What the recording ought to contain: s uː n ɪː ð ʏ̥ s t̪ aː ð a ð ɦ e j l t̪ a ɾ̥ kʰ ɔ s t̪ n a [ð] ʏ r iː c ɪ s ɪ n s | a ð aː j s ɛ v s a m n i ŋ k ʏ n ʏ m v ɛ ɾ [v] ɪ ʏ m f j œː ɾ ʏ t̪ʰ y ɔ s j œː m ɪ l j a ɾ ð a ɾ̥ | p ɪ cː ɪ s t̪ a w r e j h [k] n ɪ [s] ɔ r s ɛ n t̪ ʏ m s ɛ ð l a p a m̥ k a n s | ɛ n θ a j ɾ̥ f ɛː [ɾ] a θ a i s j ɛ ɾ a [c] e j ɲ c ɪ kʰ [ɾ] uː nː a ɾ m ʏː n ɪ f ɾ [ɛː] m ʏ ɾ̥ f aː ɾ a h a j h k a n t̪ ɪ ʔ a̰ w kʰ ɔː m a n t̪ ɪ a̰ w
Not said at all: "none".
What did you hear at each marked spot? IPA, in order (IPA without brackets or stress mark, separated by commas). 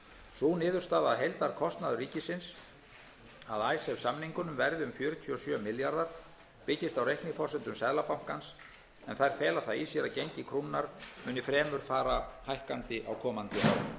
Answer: ð, ð, k, f, l, c, ɾ, ɛː